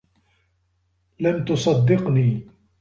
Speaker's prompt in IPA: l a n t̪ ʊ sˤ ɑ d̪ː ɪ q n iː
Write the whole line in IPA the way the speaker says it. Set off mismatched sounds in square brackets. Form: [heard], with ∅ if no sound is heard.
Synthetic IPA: l a [m] t̪ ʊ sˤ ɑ d̪ː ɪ q n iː